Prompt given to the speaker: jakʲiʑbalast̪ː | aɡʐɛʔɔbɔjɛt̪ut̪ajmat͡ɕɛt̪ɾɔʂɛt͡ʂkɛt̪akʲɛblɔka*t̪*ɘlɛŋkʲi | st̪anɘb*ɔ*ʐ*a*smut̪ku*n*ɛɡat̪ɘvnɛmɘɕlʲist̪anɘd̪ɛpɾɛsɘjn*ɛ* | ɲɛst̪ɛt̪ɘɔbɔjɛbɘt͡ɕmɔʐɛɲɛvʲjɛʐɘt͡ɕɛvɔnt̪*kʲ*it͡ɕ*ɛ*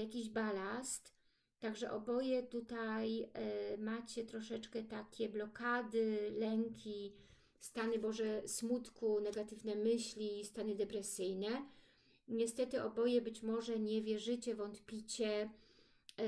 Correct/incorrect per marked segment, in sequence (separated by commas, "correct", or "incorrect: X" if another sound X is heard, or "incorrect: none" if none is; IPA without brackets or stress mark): incorrect: d̪, correct, incorrect: ɛ, correct, correct, incorrect: pʲ, correct